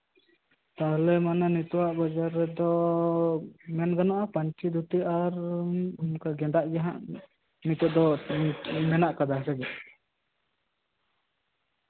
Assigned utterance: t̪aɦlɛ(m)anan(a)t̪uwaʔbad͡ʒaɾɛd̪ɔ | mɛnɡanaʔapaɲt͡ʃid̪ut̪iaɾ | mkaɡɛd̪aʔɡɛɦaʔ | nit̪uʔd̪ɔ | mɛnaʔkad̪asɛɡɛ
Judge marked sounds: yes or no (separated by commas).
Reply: yes, no